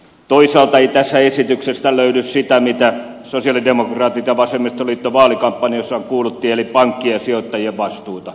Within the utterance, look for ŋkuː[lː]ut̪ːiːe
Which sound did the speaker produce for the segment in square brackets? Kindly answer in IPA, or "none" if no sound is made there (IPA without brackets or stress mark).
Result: l